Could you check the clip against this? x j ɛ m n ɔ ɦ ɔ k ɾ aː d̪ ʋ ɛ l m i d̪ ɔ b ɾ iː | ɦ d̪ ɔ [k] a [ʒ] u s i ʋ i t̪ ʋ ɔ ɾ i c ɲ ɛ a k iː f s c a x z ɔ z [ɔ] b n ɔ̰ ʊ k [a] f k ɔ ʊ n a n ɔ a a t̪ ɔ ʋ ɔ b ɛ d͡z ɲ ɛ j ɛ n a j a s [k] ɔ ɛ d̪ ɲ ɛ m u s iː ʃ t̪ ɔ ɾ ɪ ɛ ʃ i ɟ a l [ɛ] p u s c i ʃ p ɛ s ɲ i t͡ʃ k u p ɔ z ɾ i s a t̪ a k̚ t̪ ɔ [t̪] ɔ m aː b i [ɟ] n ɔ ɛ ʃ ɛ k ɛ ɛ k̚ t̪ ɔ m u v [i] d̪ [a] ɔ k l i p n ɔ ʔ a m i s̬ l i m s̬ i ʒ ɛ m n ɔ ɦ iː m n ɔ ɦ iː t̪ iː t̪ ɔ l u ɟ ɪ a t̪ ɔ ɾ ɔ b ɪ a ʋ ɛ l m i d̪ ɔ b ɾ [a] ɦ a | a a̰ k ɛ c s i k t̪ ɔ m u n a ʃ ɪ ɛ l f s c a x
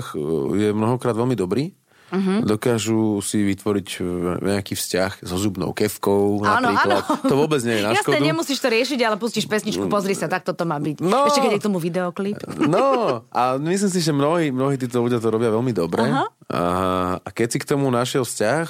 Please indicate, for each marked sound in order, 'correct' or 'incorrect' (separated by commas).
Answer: correct, correct, incorrect, incorrect, correct, correct, correct, incorrect, correct, incorrect, incorrect